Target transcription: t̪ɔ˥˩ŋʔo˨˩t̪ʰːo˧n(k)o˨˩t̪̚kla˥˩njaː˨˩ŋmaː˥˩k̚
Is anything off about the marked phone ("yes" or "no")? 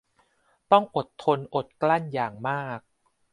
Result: yes